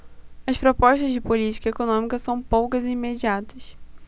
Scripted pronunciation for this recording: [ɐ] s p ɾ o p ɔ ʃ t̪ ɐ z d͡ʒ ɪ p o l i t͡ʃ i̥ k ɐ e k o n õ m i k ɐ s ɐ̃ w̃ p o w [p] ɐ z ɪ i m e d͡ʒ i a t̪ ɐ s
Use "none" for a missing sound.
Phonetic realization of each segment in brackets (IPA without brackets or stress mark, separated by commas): ɐ, k